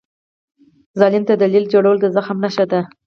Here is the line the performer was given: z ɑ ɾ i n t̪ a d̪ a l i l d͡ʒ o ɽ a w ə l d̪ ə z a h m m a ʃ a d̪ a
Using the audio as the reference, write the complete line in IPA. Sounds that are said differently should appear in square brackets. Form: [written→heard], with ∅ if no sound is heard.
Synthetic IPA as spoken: z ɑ [ɾ→l] i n t̪ a d̪ a l i l d͡ʒ o ɽ a w ə l d̪ ə z a [h→x] m [m→n] a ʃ a d̪ a